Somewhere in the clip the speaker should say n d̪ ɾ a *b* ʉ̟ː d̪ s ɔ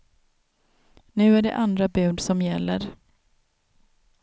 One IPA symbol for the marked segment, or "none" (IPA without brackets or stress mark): b